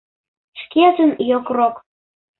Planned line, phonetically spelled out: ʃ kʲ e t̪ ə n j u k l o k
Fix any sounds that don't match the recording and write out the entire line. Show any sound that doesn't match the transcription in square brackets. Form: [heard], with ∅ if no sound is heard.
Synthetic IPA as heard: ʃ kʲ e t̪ ə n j [o] k [r] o k